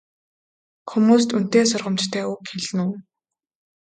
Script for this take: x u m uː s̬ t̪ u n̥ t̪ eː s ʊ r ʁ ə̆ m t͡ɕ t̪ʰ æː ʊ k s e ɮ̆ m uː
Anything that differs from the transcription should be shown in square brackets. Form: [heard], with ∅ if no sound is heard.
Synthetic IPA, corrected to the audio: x u m uː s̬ t̪ u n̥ t̪ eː s ʊ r ʁ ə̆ m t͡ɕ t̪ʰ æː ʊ k [x] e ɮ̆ [n] uː

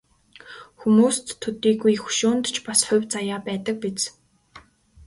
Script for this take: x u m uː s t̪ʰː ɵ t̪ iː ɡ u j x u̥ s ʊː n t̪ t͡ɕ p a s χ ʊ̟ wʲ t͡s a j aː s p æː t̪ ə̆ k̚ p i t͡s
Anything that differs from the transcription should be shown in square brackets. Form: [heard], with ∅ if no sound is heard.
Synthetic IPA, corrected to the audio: x u m uː s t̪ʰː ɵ t̪ iː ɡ u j x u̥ [ʃ] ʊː n t̪ t͡ɕ p a s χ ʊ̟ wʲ t͡s a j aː [∅] p æː t̪ ə̆ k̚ p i t͡s

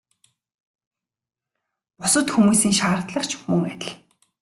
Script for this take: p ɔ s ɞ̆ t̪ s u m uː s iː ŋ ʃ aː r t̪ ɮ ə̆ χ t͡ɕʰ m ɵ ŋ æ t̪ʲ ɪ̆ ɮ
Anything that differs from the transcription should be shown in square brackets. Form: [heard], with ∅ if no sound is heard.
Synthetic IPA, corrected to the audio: p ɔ s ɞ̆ t̪ [x] u m uː s iː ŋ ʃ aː r t̪ ɮ ə̆ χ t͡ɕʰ m ɵ ŋ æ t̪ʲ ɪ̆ ɮ

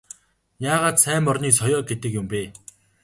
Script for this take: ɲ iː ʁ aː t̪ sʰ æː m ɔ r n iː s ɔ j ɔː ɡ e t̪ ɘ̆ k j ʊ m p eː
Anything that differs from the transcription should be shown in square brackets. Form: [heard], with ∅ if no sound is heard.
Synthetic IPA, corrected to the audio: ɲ [aː] ʁ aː t̪ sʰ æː m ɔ r n iː s ɔ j ɔː ɡ e t̪ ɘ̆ k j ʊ m p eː

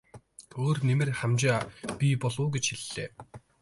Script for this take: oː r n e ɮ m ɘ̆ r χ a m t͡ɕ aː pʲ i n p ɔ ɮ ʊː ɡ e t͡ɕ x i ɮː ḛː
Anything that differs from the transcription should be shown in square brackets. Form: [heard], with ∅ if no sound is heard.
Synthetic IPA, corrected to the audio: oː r n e [∅] m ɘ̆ r χ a m t͡ɕ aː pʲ i [∅] p ɔ ɮ ʊː ɡ e t͡ɕ x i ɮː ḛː

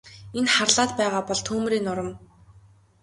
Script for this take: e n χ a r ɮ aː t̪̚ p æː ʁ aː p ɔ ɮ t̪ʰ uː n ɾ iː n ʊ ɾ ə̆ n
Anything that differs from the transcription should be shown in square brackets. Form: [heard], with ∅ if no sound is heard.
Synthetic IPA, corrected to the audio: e n χ a r ɮ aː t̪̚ p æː ʁ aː p ɔ ɮ t̪ʰ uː [m] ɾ iː n ʊ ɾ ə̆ [m]

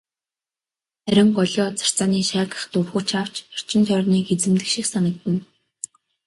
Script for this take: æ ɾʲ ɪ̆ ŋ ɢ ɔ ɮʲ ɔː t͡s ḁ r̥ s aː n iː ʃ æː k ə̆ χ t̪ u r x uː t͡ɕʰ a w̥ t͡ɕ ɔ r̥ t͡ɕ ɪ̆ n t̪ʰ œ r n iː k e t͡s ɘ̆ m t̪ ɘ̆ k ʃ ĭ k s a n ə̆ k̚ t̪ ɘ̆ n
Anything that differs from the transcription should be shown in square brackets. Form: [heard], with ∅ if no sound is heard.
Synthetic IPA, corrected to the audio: æ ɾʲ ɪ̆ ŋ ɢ ɔ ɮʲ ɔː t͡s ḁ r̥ [t͡s] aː n iː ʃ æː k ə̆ χ t̪ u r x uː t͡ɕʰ a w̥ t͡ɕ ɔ r̥ t͡ɕ ɪ̆ n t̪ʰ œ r n iː k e t͡s ɘ̆ m t̪ ɘ̆ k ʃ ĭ k s a n ə̆ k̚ t̪ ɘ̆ n

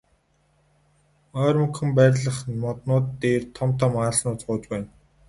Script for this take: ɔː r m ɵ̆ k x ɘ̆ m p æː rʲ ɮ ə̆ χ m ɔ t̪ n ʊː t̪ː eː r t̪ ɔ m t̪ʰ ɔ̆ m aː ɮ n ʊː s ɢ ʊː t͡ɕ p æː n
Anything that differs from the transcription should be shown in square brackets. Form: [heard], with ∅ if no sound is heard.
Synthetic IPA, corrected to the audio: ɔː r m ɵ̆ k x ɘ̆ m p æː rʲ ɮ ə̆ χ m ɔ t̪ n ʊː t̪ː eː r [t̪ʰ] ɔ m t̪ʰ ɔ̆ m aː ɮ n ʊː [t͡s] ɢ ʊː t͡ɕ p æː n

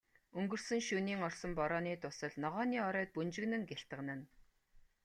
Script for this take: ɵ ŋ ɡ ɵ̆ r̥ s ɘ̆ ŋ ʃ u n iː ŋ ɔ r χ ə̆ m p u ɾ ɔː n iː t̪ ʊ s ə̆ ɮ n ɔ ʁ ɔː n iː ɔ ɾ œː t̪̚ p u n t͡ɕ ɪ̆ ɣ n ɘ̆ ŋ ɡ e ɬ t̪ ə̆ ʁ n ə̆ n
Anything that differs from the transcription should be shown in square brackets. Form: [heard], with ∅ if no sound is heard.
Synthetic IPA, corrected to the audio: ɵ ŋ ɡ ɵ̆ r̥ s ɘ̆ ŋ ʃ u n iː ŋ ɔ r [s] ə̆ m p [ɔ] ɾ ɔː n iː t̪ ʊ s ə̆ ɮ n ɔ ʁ ɔː n iː ɔ ɾ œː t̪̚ p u n t͡ɕ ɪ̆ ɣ n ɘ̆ ŋ ɡ e ɬ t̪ ə̆ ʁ n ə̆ n

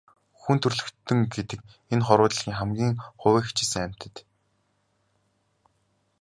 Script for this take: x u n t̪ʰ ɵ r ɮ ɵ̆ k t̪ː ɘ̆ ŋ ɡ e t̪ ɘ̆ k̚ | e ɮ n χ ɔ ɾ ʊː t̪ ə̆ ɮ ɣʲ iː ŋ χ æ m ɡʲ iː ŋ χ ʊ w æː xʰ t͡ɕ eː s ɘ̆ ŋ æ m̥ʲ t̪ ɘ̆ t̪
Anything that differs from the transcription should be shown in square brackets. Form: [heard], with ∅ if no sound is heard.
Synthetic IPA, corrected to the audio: x u n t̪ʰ ɵ r ɮ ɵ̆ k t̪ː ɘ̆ ŋ ɡ e t̪ ɘ̆ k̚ | e [∅] n χ ɔ ɾ ʊː t̪ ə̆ ɮ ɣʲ iː ŋ χ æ m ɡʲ iː ŋ χ ʊ w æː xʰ t͡ɕ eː s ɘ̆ ŋ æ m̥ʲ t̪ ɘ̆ t̪

